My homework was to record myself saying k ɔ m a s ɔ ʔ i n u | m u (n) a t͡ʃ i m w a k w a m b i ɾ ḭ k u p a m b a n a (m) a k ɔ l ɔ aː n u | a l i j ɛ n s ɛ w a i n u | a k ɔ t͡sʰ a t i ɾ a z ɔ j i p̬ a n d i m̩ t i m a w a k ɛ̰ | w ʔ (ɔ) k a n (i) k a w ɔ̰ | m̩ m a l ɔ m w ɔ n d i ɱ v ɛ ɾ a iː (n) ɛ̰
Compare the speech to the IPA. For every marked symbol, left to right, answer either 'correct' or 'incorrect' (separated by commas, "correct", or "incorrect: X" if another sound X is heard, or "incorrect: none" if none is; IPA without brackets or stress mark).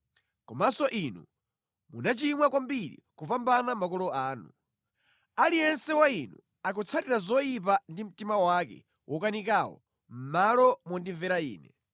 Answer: correct, correct, correct, correct, correct